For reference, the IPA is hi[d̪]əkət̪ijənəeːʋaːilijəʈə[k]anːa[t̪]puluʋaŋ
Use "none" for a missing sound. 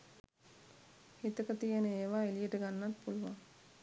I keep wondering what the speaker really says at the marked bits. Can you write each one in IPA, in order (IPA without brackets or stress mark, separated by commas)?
t̪, ɡ, t̪